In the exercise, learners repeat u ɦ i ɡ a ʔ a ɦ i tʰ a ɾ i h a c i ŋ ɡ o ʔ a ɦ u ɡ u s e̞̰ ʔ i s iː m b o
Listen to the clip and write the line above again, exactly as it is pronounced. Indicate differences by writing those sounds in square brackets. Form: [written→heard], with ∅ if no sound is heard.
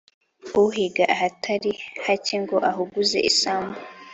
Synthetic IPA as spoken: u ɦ i ɡ a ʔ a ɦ [i→a] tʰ a ɾ i h a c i ŋ ɡ o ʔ a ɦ u ɡ u [s→z] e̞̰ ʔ i s [iː→aː] m b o